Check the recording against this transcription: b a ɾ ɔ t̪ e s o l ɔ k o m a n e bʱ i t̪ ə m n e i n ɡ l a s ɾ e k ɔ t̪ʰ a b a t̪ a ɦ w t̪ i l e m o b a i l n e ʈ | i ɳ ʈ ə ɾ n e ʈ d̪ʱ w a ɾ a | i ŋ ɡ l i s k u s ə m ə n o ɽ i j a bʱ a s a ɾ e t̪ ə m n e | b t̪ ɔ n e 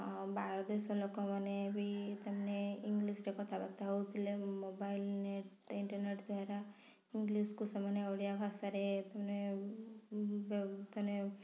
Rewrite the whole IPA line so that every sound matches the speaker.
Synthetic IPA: b a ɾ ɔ d̪ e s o l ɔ k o m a n e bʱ i t̪ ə m n e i ŋ ɡ l i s ɾ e k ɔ t̪ʰ a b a t̪ a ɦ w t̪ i l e m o b a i l n e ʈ | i ɳ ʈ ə ɾ n e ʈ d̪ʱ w a ɾ a | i ŋ ɡ l i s k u s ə m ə n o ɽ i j a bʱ a s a ɾ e t̪ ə m n e | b t̪ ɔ n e